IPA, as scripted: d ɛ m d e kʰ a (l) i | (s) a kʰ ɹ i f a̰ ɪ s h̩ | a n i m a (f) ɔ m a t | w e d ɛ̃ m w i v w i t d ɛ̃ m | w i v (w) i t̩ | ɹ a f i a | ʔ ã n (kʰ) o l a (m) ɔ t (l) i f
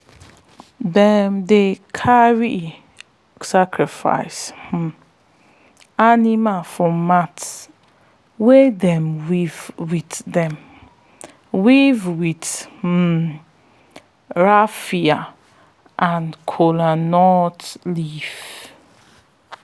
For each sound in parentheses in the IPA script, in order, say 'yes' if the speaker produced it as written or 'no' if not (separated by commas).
no, yes, yes, yes, yes, no, yes